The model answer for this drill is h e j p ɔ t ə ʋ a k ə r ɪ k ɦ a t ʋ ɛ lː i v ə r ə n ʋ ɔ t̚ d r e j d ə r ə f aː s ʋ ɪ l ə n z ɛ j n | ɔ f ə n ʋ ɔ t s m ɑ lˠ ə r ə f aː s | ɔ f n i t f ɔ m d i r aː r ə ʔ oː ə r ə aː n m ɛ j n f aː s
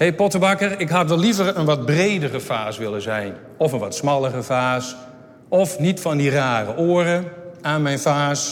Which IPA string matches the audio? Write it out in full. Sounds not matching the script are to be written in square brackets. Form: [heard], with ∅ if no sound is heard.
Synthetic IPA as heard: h e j p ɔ t ə ʋ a k ə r ɪ k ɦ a t ʋ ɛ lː i v ə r ə n ʋ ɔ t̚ [b] r e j d ə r ə f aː s ʋ ɪ l ə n z ɛ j n | ɔ f ə n ʋ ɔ t s m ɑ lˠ ə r ə f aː s | ɔ f n i t f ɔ [n] d i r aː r ə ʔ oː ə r ə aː n m ɛ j n f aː s